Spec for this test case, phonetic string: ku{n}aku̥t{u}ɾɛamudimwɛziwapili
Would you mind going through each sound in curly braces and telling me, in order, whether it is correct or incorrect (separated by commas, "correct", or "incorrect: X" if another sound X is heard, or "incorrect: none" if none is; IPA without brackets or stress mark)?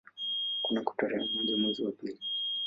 correct, incorrect: ɔ